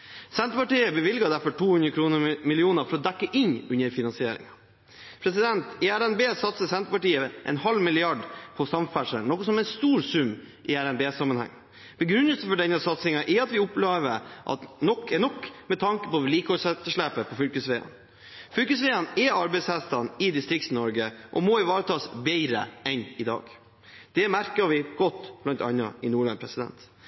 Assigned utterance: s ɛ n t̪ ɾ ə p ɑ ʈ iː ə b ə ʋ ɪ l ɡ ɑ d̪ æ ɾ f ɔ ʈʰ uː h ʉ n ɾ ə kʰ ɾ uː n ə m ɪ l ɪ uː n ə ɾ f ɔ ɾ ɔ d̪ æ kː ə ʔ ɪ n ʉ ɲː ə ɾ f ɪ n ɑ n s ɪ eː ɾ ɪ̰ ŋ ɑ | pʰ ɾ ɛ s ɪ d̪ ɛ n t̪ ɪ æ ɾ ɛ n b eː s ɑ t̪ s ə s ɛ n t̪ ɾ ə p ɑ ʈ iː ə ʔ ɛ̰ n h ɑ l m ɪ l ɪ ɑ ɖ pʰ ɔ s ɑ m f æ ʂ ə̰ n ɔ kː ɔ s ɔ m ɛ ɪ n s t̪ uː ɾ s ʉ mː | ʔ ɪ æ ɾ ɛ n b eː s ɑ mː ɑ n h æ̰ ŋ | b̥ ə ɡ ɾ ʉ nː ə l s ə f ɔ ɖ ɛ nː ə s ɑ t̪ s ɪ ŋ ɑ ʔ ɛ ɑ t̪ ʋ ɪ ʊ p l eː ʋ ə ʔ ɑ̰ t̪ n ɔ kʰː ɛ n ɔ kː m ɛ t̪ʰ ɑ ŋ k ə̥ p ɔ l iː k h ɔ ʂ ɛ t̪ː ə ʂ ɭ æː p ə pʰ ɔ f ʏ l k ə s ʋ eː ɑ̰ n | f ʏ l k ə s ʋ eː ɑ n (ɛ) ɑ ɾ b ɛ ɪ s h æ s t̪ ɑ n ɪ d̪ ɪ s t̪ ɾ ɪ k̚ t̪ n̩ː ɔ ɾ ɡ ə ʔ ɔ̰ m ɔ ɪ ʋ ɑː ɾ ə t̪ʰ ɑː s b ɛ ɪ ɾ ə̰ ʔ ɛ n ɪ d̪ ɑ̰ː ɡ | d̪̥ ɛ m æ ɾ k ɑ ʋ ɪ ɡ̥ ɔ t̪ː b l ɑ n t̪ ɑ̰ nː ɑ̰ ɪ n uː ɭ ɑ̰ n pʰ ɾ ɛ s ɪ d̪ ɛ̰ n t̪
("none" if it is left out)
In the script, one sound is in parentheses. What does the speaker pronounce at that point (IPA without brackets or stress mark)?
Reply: ɛ